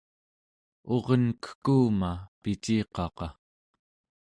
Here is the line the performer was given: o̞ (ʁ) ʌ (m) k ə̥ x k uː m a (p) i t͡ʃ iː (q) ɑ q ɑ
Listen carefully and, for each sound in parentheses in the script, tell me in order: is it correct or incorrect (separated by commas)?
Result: correct, incorrect, correct, correct